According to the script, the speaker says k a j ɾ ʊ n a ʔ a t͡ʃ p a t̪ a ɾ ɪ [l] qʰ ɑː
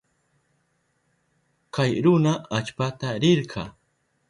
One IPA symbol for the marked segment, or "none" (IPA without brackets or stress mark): ɾ